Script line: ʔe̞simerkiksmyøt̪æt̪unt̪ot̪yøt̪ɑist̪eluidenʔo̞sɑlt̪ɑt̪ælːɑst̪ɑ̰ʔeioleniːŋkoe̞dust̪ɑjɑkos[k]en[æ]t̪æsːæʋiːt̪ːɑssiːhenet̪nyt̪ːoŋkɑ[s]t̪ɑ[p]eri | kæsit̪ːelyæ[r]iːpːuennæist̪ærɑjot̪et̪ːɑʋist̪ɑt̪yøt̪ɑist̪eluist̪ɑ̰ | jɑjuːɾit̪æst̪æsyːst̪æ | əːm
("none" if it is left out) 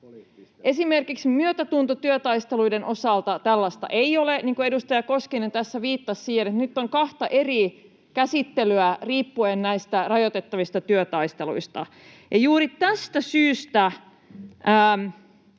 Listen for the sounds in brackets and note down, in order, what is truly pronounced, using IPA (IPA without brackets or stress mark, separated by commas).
k, e, h, ʔ, r